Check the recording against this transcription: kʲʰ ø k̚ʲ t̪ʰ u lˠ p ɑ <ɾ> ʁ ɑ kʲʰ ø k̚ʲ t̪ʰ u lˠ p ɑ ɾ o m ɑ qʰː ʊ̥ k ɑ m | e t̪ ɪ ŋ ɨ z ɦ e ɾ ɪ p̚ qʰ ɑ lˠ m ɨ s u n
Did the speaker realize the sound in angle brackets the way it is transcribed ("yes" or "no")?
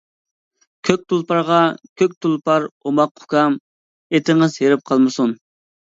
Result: yes